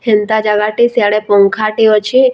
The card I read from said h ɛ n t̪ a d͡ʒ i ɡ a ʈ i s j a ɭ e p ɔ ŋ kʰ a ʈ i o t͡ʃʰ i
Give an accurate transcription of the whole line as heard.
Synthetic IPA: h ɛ n t̪ a d͡ʒ a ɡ a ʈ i s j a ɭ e p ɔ ŋ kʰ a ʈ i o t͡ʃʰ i